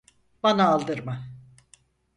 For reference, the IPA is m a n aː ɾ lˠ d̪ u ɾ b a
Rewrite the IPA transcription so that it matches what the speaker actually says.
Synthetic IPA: b a n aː lˠ d̪ ɯ ɾ m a